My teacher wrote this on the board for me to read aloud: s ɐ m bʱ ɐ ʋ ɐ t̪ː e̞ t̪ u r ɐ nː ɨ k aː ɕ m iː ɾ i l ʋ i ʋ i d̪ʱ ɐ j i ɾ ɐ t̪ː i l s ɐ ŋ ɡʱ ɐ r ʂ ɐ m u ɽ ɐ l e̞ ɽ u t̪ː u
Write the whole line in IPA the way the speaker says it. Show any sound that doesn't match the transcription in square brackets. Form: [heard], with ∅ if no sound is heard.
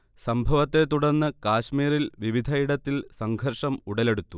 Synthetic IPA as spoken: s ɐ m bʱ ɐ ʋ ɐ t̪ː e̞ t̪ u [ɽ] ɐ nː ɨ k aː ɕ m iː ɾ i l ʋ i ʋ i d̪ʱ ɐ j i [ɽ] ɐ t̪ː i l s ɐ ŋ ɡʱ ɐ r ʂ ɐ m u ɽ ɐ l e̞ ɽ u t̪ː u